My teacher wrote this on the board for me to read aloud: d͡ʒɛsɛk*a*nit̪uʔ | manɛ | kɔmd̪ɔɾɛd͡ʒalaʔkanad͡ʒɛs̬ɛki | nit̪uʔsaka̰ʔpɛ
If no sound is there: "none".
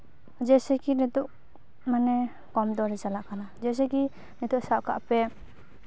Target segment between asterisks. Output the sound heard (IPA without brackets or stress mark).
i